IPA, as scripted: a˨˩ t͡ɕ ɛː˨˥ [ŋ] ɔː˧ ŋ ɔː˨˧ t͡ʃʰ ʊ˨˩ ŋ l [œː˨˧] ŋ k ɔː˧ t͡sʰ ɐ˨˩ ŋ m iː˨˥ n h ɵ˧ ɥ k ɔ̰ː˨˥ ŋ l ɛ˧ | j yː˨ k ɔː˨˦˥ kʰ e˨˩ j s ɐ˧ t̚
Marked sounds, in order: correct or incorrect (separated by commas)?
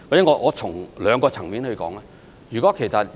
correct, correct